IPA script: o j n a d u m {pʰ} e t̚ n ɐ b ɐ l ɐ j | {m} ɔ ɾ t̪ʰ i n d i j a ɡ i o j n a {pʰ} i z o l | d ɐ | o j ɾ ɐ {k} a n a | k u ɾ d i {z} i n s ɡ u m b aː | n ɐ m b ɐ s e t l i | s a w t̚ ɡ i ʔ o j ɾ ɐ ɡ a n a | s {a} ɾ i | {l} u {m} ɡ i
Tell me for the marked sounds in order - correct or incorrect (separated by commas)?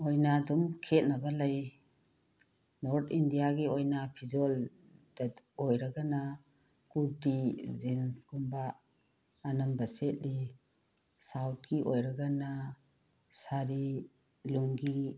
incorrect, incorrect, correct, incorrect, correct, correct, correct, incorrect